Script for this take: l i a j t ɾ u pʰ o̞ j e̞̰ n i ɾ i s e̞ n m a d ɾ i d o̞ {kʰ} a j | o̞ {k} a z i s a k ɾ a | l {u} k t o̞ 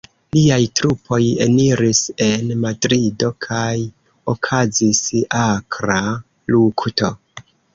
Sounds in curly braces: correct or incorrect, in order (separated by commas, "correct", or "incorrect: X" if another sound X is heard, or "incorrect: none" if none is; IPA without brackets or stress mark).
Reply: correct, incorrect: kʰ, correct